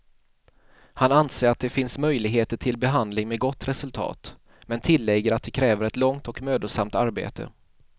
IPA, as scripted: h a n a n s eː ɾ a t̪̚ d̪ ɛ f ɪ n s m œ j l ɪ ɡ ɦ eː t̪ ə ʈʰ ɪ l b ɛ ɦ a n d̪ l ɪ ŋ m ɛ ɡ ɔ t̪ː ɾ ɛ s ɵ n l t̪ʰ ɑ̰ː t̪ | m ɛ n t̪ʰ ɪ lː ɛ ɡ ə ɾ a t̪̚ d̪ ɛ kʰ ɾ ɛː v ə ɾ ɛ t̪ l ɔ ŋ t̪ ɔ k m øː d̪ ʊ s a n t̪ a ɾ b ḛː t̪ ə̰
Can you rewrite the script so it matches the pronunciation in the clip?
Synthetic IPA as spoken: h a n a n s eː ɾ a t̪̚ d̪ ɛ f ɪ n s m œ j l ɪ ɡ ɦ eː t̪ ə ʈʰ ɪ l b ɛ ɦ a n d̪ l ɪ ŋ m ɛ ɡ ɔ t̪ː ɾ ɛ s ɵ l t̪ʰ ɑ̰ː t̪ | m ɛ n t̪ʰ ɪ lː ɛ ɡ ə ɾ a t̪̚ d̪ ɛ kʰ ɾ ɛː v ə ɾ ɛ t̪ l ɔ ŋ t̪ ɔ k m øː d̪ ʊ s a m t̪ a ɾ b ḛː t̪ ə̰